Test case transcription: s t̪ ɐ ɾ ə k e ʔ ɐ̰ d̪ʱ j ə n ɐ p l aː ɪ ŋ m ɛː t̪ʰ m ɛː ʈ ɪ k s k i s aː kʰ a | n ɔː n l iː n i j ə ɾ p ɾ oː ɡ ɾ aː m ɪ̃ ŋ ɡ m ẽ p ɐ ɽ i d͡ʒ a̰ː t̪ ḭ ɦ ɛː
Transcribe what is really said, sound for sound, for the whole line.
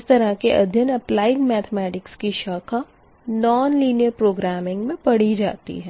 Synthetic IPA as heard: s t̪ ɐ ɾ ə k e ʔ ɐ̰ d̪ʱ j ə n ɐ p l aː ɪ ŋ m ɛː t̪ʰ m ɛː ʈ ɪ k s k i ʃ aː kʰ a | n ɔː n l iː n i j ə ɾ p ɾ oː ɡ ɾ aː m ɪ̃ ŋ ɡ m ẽ p ɐ ɽ i d͡ʒ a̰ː t̪ ḭ ɦ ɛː